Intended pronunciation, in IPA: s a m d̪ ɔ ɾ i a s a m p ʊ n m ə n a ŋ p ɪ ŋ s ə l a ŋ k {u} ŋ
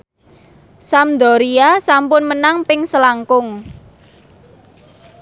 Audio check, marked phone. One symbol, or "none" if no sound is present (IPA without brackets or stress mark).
ʊ